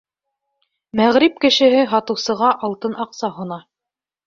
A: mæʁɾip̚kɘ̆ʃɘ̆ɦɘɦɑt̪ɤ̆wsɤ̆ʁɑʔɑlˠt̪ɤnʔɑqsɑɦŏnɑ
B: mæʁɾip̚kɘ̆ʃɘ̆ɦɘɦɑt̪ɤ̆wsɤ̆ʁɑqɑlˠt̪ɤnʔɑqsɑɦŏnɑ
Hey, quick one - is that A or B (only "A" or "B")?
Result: A